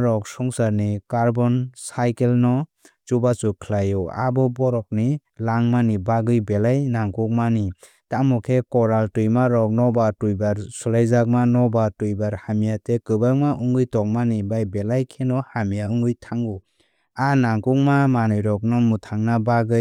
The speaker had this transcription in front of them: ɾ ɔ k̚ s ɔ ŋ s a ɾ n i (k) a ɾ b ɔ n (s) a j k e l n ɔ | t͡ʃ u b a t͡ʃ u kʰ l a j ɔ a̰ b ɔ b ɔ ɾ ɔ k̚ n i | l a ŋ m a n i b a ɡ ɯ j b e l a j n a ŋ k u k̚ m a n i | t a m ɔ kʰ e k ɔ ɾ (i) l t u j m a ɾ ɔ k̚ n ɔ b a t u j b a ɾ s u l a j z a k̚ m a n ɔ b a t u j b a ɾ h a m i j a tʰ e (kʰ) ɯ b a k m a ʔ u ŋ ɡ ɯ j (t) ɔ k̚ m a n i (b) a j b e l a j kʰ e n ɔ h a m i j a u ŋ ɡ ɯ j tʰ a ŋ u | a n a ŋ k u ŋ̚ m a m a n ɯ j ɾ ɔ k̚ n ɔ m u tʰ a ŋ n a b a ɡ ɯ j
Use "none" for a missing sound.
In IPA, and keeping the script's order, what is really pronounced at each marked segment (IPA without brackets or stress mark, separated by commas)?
k, s, a, k, t, b